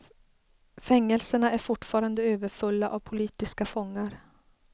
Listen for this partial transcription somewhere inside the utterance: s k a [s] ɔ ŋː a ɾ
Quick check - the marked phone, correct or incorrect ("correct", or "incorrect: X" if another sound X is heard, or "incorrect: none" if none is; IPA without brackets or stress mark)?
incorrect: f